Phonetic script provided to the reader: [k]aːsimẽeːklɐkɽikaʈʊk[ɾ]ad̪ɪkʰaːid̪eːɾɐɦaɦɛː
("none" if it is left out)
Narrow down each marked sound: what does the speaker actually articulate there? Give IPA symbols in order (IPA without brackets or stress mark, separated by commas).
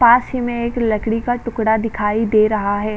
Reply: p, ɽ